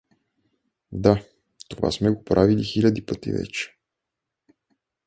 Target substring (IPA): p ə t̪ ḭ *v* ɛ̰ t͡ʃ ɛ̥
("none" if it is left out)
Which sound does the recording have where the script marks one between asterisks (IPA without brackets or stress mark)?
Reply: v